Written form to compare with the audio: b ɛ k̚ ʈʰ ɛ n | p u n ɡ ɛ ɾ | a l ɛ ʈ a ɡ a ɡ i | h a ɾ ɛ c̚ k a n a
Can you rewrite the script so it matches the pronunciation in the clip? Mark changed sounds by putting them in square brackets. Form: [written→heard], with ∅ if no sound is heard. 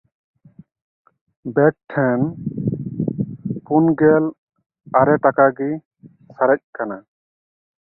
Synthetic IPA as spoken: b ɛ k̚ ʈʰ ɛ n | p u n ɡ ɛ [ɾ→l] | a [l→ɾ] ɛ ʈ a [ɡ→k] a ɡ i | [h→s] a ɾ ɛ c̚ k a n a